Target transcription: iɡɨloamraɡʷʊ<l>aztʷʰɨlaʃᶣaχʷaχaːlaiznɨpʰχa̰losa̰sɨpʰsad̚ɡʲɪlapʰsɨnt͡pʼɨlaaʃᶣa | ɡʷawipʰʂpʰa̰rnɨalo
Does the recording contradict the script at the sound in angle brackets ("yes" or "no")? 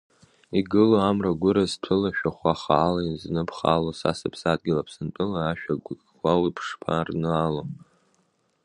yes